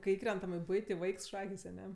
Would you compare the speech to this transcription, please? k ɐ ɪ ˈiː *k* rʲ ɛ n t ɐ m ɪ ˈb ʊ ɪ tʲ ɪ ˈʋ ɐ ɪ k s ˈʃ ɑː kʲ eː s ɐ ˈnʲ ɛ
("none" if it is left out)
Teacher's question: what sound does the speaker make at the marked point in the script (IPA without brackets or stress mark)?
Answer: k